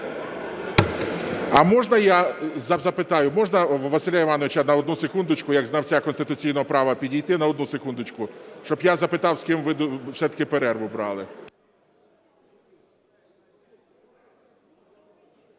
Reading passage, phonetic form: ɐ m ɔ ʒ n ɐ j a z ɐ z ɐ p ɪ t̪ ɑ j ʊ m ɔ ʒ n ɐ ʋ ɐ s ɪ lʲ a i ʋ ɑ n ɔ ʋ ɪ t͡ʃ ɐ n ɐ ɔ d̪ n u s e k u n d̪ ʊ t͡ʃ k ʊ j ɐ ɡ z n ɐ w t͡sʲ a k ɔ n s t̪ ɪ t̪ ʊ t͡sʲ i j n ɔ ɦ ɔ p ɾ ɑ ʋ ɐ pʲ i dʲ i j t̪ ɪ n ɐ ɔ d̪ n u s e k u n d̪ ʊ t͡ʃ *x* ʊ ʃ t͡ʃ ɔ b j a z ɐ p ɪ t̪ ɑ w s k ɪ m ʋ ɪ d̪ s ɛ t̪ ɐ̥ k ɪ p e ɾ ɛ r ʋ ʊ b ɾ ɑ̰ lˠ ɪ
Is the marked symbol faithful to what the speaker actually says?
no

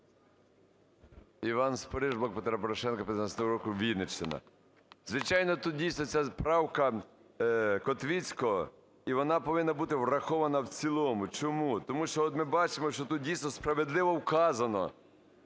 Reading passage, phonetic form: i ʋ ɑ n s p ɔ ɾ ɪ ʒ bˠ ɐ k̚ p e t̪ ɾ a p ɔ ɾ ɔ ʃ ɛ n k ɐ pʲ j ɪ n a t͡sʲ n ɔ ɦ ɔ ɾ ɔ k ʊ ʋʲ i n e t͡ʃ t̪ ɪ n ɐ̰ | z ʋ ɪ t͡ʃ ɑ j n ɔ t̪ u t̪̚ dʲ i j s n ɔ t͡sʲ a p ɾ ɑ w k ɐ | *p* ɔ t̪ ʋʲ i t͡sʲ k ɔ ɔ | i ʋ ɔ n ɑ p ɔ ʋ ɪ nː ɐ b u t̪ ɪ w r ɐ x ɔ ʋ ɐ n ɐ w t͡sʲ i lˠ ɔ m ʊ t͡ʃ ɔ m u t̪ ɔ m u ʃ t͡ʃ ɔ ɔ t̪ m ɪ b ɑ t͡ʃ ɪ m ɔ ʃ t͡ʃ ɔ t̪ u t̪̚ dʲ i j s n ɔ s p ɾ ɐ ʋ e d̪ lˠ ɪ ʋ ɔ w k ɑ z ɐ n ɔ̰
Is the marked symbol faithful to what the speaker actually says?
no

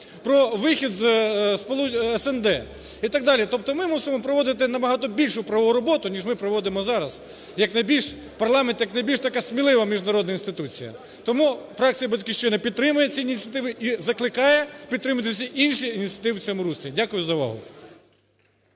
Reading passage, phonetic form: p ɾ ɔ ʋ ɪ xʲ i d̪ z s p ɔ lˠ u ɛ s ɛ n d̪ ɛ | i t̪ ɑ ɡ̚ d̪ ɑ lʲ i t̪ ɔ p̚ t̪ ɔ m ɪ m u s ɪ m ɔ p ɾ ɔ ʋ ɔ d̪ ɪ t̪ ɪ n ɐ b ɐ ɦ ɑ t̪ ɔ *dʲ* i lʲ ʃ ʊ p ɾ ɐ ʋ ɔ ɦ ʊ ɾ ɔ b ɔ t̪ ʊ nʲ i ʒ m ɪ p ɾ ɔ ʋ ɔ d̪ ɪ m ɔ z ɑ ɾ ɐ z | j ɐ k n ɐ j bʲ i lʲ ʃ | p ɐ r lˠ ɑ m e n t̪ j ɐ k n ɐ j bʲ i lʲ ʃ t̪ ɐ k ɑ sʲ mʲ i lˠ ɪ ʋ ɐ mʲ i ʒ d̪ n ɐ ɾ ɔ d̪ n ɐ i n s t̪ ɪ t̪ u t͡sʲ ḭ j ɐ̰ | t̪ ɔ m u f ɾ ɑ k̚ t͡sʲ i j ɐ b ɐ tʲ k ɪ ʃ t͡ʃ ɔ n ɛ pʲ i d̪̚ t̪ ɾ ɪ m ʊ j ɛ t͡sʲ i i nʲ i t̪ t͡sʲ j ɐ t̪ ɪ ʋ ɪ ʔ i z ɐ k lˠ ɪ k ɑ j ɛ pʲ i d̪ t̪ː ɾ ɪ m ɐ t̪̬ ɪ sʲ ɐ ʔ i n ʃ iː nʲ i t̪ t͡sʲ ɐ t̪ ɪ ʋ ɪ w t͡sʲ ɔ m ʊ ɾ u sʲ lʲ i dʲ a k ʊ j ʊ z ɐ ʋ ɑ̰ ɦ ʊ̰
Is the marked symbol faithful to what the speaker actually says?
no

